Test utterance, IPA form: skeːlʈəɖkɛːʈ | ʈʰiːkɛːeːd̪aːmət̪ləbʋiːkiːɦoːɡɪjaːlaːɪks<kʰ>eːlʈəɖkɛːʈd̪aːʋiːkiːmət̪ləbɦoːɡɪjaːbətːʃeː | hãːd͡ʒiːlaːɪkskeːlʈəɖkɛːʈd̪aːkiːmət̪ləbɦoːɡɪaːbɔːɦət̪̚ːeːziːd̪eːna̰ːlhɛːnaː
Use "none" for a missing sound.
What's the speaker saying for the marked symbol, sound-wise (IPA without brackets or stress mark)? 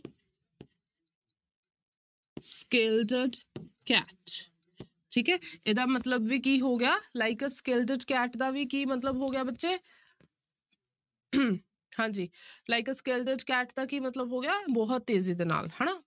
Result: k